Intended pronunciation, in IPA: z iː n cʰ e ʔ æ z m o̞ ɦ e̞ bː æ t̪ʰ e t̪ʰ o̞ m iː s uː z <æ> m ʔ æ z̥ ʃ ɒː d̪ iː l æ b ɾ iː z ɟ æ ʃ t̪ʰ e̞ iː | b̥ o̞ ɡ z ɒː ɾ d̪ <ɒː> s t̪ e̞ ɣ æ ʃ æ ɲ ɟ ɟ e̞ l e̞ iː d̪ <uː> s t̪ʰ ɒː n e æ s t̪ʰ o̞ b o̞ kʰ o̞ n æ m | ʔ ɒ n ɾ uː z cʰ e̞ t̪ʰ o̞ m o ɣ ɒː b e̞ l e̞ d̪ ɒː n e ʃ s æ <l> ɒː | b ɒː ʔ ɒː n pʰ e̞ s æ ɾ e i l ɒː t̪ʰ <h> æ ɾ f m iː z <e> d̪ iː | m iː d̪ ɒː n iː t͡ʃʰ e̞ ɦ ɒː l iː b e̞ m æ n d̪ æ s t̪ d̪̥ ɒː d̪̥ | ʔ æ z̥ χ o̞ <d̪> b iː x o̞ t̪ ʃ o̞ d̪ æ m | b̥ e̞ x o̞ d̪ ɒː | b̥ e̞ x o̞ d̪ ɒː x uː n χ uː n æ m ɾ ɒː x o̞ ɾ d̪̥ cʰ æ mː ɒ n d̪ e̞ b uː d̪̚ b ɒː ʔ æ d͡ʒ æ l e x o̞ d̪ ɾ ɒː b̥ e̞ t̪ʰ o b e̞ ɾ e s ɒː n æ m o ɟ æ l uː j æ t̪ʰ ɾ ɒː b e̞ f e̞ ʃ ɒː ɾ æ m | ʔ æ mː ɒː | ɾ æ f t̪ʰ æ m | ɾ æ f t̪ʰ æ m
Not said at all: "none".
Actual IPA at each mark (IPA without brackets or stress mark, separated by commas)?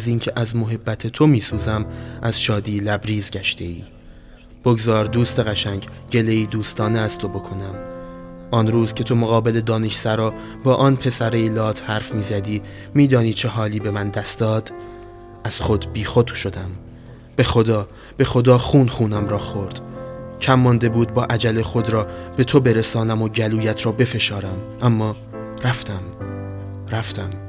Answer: æ, uː, uː, ɾ, h, æ, d̪